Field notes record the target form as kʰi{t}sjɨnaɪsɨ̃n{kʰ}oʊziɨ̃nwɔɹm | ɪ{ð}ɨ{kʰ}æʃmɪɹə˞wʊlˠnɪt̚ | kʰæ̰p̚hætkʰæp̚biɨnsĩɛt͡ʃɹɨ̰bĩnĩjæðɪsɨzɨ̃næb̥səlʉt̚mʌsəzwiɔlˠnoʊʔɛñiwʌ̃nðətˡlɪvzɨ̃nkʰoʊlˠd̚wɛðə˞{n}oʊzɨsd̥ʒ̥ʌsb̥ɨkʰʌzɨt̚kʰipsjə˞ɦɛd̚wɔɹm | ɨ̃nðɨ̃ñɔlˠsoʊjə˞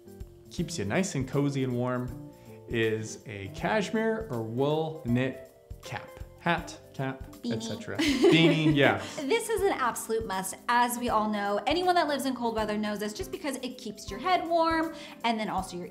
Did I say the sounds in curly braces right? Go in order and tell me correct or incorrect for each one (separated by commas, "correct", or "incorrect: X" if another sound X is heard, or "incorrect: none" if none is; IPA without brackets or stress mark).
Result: incorrect: p, correct, incorrect: z, correct, correct